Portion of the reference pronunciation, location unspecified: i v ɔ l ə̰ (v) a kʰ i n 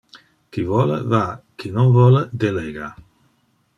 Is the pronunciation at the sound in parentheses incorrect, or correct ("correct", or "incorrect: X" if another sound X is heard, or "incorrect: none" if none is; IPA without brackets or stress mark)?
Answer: correct